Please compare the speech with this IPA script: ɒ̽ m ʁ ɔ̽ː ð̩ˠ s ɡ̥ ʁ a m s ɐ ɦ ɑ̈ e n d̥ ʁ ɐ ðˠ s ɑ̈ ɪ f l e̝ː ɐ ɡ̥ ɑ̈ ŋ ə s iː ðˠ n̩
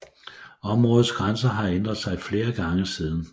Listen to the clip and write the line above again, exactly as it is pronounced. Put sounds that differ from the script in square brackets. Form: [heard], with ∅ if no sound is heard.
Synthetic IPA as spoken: ɒ̽ m ʁ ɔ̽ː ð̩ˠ s ɡ̥ ʁ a [n] s ɐ ɦ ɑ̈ e n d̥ ʁ ɐ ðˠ s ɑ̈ ɪ f l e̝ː ɐ ɡ̥ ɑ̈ ŋ ə s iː ðˠ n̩